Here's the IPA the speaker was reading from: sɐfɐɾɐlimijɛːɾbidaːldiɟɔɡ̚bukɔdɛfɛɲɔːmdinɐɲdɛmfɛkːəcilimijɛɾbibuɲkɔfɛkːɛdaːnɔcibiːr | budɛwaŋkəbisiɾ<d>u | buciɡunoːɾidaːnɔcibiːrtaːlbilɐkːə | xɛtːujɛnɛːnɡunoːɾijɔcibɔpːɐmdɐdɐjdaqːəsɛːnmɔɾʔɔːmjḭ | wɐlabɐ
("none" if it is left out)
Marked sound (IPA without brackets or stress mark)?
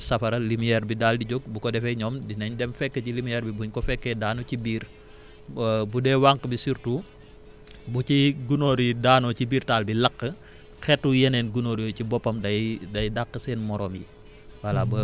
t